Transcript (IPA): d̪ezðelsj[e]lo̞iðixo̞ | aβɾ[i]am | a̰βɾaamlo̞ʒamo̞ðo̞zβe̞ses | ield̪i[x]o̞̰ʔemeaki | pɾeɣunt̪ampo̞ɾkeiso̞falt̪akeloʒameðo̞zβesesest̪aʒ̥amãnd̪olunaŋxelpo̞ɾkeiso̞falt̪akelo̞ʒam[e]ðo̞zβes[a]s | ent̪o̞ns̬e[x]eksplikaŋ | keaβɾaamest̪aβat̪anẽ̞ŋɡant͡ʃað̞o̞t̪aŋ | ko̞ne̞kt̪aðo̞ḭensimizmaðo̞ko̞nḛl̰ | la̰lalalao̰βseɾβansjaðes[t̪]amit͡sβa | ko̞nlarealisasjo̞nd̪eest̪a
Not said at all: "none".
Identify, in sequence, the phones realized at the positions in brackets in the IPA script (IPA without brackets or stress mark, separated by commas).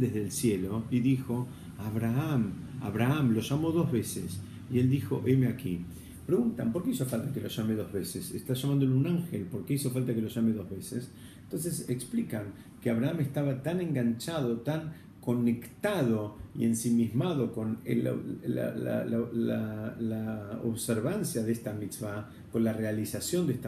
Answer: e, a, x, e, e, s, t̪